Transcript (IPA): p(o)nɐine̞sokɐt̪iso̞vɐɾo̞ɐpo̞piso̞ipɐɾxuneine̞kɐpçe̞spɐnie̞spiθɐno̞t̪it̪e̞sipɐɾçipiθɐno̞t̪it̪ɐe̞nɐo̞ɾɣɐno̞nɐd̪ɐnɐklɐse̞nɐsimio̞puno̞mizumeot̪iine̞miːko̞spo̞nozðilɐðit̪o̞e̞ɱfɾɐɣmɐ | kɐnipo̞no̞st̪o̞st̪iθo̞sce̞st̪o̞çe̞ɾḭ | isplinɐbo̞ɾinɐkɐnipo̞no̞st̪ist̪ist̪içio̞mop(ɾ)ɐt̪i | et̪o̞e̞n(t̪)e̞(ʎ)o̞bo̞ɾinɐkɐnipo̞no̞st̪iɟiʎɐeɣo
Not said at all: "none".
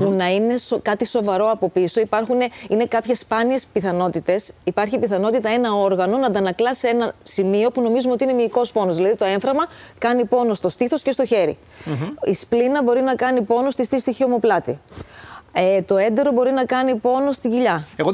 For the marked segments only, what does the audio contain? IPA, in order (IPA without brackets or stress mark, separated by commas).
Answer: u, l, d̪, ɾ